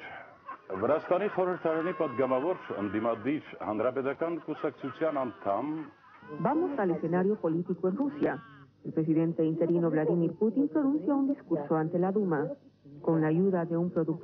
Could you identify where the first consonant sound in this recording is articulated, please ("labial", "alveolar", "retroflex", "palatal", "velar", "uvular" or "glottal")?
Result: labial